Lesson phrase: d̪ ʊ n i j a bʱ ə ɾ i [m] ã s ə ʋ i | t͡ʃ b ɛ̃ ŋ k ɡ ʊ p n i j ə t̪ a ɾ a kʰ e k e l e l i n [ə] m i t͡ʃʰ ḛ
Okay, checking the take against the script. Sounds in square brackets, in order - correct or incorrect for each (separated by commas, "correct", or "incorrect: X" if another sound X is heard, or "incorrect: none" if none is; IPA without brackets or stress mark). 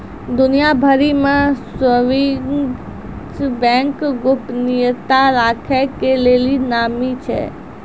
correct, incorrect: a